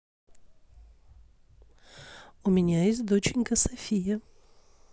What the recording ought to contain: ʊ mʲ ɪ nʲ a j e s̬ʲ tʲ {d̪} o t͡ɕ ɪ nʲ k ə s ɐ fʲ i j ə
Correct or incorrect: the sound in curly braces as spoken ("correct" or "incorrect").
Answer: correct